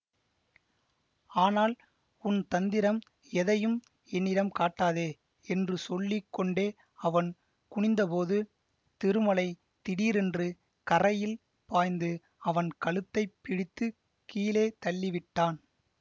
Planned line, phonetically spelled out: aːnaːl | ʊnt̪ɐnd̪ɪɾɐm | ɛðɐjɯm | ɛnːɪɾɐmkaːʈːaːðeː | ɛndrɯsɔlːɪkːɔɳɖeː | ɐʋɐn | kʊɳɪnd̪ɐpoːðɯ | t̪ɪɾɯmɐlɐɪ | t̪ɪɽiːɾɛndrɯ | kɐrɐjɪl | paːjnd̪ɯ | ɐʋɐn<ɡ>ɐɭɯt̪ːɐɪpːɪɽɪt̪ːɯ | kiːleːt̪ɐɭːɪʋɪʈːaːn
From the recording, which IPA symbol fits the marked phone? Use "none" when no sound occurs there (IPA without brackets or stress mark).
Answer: k